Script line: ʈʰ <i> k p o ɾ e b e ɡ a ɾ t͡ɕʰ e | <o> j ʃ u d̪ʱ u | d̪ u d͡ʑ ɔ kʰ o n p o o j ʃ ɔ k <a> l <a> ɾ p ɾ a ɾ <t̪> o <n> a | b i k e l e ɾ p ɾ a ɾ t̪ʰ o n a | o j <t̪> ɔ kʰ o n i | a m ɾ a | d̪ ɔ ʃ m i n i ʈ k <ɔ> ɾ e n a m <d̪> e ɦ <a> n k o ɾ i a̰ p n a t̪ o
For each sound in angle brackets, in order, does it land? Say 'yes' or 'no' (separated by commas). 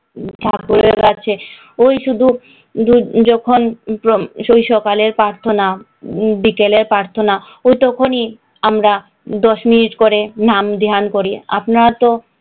no, yes, yes, no, no, yes, yes, no, yes, yes